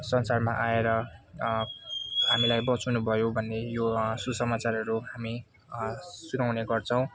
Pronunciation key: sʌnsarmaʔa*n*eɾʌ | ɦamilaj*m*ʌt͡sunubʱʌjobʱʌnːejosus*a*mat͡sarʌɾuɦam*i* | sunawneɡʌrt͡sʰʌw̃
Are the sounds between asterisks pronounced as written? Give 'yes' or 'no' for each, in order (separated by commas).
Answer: no, no, no, yes